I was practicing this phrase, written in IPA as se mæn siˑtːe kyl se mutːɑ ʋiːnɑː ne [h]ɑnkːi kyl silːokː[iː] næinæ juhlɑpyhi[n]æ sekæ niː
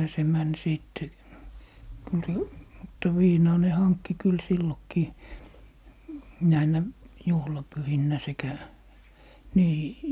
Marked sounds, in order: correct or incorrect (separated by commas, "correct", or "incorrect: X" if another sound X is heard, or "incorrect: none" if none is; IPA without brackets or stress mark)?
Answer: correct, correct, incorrect: nː